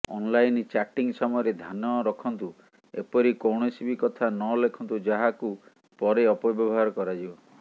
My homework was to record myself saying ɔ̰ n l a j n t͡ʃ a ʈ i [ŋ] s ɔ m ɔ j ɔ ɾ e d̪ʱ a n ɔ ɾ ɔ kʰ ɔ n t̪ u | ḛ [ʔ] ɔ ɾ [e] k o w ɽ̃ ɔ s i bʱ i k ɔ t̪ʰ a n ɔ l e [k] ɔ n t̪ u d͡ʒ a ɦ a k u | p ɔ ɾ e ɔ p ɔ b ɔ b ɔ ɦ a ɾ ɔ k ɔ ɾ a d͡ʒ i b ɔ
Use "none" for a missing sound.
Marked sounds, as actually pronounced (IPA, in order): ŋ, p, i, kʰ

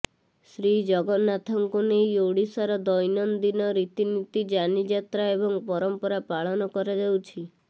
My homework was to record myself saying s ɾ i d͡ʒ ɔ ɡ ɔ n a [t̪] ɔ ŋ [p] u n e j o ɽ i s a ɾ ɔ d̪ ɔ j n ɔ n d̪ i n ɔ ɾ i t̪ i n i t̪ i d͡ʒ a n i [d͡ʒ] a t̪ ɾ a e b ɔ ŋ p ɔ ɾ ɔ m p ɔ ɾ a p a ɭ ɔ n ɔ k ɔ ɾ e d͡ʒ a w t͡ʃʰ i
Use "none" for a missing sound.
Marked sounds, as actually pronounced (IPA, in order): t̪ʰ, k, d͡ʒ

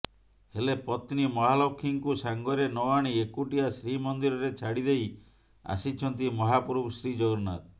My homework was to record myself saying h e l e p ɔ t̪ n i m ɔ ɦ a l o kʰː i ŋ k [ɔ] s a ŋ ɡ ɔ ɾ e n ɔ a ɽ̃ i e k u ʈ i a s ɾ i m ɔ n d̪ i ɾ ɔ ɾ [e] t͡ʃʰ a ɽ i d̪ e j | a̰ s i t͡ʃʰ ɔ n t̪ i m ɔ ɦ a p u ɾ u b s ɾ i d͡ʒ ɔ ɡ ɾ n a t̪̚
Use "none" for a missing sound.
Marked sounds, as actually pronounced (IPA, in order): u, e

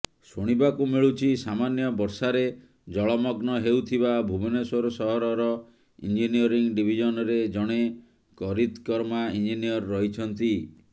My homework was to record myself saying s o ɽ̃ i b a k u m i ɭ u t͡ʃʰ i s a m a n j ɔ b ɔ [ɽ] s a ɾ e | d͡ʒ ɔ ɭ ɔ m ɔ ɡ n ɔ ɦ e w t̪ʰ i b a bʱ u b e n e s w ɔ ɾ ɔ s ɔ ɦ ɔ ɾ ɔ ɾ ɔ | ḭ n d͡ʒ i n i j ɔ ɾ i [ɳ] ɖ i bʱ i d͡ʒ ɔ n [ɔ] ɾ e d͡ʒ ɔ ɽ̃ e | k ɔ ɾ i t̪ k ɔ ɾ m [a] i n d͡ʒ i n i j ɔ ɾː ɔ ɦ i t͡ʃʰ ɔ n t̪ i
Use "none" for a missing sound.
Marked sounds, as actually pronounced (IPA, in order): ɾ, ŋ, ɔ, a

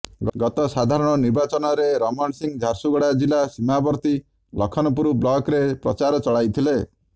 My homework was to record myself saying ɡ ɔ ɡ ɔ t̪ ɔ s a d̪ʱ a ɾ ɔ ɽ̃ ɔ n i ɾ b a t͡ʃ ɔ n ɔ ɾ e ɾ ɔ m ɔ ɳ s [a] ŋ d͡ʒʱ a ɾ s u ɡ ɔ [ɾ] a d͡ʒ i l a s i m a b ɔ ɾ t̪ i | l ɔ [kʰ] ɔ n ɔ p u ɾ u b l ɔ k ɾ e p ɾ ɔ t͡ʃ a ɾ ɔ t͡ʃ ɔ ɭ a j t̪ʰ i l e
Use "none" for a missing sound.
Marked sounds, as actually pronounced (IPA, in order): i, ɽ, kʰ

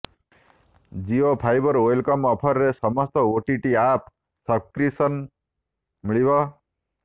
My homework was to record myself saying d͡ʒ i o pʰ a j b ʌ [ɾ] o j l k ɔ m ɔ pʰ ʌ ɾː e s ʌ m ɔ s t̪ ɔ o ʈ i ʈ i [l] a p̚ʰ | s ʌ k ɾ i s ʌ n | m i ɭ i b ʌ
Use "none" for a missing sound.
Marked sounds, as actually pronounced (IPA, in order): ɾ, none

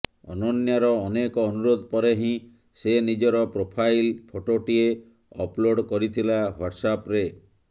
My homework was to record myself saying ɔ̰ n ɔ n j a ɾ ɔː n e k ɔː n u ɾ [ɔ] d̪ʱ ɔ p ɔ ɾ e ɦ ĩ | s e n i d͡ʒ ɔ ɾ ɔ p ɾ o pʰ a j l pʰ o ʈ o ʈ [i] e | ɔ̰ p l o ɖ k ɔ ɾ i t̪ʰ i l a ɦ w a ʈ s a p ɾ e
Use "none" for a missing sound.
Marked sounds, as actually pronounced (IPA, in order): o, i

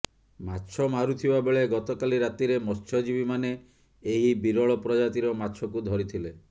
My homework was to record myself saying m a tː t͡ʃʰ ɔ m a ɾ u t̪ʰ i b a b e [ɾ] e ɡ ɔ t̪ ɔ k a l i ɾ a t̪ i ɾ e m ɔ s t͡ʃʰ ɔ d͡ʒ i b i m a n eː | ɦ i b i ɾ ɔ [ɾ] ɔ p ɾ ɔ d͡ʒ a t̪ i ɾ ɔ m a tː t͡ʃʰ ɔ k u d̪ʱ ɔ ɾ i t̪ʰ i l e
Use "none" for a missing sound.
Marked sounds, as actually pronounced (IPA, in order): ɭ, ɭ

